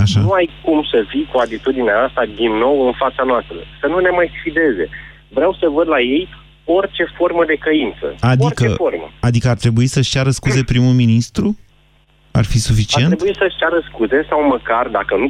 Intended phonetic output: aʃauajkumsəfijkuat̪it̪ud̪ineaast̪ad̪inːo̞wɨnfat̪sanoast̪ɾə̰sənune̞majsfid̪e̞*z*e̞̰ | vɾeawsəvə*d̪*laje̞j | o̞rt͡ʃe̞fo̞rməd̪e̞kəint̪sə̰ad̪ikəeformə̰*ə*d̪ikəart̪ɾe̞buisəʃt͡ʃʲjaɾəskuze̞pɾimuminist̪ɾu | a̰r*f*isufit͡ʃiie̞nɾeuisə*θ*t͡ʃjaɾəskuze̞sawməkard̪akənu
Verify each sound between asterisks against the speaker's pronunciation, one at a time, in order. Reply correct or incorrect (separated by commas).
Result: correct, correct, incorrect, correct, incorrect